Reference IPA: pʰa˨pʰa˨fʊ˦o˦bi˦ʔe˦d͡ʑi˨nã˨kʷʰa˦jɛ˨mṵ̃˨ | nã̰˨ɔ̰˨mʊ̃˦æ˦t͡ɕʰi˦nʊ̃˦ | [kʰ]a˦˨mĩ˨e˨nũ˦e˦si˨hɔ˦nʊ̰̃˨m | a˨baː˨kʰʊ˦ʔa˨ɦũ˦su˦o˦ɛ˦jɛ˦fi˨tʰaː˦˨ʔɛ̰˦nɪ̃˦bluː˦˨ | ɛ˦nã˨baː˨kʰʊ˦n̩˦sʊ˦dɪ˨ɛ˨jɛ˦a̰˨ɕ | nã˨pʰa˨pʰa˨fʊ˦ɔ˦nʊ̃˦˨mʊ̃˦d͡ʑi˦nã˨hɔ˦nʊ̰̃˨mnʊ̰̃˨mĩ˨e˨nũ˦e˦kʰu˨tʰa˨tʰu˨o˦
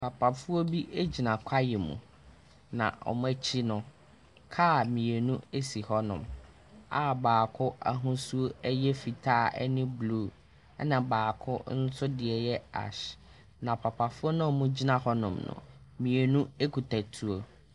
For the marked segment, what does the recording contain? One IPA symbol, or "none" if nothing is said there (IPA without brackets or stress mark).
kʰ